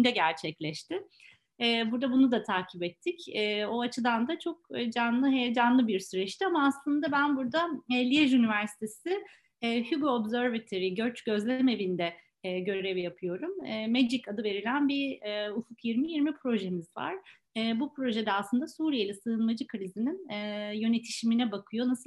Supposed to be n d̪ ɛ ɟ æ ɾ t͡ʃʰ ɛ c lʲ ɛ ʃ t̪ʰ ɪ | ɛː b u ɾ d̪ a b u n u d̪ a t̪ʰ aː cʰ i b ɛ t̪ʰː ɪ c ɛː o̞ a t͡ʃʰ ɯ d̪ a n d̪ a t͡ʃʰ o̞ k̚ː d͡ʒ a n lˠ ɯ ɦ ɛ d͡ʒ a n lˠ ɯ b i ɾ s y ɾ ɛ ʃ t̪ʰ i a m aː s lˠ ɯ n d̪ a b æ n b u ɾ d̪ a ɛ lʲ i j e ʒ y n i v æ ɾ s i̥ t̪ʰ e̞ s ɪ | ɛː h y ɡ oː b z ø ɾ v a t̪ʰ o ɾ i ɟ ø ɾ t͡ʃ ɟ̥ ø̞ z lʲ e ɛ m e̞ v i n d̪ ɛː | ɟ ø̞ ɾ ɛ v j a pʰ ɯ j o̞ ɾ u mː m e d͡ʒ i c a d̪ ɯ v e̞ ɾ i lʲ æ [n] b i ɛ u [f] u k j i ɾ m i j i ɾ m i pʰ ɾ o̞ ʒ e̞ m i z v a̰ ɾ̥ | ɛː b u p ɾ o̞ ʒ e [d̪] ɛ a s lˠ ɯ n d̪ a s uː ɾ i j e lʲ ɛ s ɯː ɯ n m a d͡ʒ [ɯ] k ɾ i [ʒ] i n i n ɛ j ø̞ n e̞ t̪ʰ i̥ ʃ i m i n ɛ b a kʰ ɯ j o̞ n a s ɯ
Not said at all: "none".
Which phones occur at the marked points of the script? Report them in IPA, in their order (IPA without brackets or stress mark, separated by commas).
n, f, d̪, ɯ, z